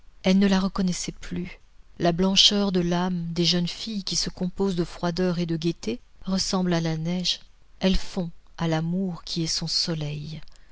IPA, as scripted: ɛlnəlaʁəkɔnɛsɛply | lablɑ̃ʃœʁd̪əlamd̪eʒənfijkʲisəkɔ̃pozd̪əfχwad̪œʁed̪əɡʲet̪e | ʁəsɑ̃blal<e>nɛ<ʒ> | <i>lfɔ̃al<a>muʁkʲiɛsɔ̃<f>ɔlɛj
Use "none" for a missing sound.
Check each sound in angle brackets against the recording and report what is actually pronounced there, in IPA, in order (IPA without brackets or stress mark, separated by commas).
a, ʒ, ɛ, a, s